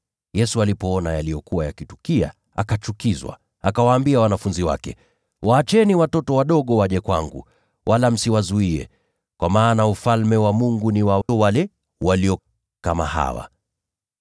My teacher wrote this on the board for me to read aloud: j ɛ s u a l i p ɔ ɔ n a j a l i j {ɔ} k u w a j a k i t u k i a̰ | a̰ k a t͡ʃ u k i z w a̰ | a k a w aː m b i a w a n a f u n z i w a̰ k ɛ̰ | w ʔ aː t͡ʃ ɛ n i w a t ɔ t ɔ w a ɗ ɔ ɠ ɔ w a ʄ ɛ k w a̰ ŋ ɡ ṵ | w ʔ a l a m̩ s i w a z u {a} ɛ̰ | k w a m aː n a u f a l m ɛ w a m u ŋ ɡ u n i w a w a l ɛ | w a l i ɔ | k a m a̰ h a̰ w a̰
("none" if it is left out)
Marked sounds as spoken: ɔ, i

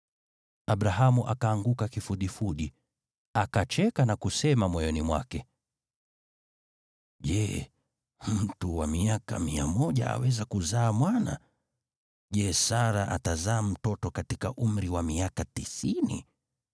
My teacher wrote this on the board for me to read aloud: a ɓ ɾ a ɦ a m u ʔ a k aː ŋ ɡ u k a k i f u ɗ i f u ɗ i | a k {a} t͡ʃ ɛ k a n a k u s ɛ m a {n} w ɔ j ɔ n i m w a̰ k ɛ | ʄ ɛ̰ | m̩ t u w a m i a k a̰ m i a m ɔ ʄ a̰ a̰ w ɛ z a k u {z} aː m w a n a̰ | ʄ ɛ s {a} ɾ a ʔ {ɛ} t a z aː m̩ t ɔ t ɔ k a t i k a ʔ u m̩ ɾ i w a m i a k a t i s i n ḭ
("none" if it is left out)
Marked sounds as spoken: a, m, z, a, a

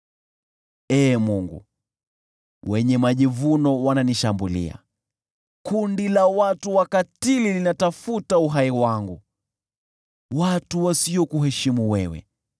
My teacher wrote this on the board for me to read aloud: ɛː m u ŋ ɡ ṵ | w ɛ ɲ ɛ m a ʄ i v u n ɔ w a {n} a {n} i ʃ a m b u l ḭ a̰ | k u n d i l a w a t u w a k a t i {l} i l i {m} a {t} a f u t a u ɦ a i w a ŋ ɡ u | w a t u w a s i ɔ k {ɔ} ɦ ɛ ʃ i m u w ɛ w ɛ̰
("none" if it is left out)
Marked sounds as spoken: n, n, l, n, t, u

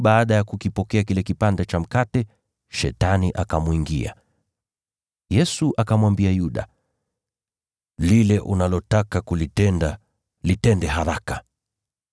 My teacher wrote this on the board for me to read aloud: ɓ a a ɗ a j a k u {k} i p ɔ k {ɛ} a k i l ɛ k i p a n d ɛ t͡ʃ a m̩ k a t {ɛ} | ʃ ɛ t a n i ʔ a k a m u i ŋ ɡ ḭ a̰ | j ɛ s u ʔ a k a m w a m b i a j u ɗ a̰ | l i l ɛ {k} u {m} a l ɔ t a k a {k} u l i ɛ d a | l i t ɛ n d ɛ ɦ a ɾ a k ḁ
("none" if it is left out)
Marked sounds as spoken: k, ɛ, ɛ, ʔ, n, k

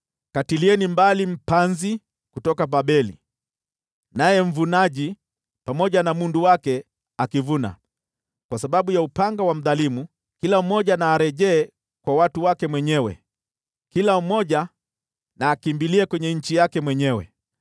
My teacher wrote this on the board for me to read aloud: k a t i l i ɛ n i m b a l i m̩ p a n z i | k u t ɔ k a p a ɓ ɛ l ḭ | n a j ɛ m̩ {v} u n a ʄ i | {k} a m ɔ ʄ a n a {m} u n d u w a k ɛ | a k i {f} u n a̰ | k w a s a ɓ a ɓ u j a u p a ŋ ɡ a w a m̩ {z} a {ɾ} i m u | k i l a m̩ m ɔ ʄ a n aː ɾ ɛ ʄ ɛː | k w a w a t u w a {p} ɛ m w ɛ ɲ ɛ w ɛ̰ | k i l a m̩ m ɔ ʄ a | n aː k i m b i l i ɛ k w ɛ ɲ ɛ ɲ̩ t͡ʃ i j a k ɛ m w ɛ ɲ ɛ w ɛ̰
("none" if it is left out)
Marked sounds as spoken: v, p, m, v, ð, l, k

